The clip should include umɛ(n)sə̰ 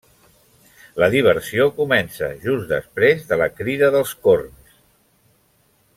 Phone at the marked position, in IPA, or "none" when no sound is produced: n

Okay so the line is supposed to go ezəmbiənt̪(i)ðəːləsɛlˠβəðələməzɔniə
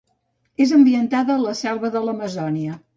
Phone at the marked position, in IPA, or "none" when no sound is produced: a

